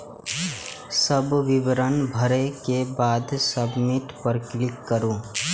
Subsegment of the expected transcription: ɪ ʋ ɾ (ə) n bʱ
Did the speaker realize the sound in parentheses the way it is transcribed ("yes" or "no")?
yes